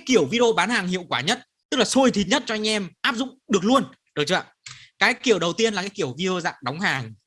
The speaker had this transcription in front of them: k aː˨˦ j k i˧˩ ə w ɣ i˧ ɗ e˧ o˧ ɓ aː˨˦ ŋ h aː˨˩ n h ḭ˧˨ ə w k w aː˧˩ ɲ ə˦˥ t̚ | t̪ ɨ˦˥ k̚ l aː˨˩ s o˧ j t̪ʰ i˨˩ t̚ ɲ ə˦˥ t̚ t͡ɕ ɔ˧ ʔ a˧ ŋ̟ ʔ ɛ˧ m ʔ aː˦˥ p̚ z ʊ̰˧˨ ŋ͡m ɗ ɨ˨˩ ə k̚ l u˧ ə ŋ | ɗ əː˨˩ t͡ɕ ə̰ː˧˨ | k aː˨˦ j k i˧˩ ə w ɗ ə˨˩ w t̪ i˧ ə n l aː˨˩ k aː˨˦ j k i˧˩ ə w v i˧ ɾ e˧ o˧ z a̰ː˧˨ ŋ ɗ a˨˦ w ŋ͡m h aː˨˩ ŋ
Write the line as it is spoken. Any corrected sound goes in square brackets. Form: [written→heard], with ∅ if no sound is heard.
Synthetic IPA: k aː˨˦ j k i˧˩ ə w [ɣ→v] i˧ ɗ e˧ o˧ ɓ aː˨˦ [ŋ→n] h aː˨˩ [n→ŋ] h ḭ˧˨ ə w k w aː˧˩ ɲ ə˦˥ t̚ | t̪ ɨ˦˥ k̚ l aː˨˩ s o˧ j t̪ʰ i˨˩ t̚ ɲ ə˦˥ t̚ t͡ɕ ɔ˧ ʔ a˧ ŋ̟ ʔ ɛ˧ m ʔ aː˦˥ p̚ z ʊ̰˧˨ ŋ͡m ɗ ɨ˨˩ ə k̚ l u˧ ə [ŋ→n] | ɗ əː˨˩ t͡ɕ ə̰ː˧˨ | k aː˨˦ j k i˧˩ ə w ɗ ə˨˩ w t̪ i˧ ə n l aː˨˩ k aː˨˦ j k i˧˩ ə w v i˧ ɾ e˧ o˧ z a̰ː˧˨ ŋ ɗ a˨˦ w ŋ͡m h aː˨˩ ŋ